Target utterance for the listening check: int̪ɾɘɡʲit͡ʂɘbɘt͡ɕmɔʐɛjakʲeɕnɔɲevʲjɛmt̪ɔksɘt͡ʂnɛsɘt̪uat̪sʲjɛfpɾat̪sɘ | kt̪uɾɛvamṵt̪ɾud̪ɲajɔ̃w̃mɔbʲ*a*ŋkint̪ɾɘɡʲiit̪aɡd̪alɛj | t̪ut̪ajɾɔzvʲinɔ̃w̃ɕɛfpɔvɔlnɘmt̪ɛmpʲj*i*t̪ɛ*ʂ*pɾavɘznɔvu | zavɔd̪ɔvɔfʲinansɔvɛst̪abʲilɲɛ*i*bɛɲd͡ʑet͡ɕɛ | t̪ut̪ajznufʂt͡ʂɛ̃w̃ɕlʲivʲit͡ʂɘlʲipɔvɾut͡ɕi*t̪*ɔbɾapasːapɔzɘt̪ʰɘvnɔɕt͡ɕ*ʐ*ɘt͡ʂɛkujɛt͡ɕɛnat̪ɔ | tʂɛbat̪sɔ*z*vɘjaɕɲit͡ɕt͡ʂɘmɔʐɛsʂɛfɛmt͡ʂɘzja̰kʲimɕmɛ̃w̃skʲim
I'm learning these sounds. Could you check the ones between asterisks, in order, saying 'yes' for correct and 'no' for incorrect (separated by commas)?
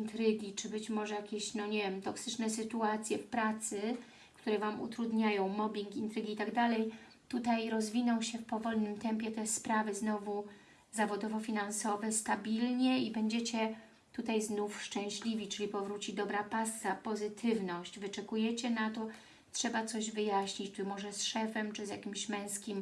no, no, no, yes, no, no, no